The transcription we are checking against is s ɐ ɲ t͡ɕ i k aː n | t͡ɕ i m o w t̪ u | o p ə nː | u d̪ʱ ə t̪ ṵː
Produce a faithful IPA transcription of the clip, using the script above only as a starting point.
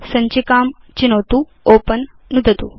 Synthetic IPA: s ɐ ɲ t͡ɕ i k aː m | t͡ɕ i n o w t̪ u | o p ə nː | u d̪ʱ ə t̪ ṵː